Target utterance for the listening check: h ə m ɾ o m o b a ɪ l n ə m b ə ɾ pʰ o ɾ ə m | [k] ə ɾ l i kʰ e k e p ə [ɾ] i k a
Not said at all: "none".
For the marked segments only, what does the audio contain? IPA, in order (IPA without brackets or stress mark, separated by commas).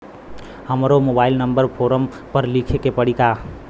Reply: p, ɽ